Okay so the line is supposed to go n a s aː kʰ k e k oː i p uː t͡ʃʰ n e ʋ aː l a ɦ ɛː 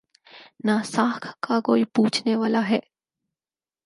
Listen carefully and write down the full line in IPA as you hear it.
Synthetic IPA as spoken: n a s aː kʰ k a k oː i p uː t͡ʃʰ n e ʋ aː l a ɦ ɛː